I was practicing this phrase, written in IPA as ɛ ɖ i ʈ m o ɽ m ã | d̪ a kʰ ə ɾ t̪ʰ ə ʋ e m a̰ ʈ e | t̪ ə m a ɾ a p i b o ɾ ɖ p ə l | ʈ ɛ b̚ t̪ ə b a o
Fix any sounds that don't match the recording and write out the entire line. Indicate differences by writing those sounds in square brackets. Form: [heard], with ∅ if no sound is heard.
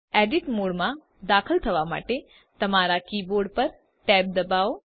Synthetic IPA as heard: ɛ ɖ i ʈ m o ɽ m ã | d̪ a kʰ ə [l] t̪ʰ ə ʋ [a] m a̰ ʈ e | t̪ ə m a ɾ a [k] i b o ɾ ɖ p ə [ɾ] | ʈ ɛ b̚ [d̪] ə b a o